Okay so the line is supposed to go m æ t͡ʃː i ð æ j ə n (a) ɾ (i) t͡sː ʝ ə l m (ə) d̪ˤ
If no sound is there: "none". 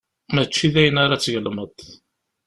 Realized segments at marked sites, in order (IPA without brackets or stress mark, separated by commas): a, a, ə